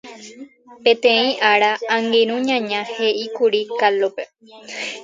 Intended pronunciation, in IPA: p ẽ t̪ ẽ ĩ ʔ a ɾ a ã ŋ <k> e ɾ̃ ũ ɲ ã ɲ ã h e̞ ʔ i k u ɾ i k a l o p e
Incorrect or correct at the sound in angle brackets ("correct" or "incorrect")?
incorrect